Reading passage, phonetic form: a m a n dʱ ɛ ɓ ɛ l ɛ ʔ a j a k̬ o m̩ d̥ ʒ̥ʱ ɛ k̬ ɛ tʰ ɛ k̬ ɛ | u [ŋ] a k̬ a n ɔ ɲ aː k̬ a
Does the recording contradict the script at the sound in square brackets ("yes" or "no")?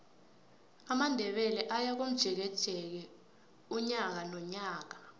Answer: yes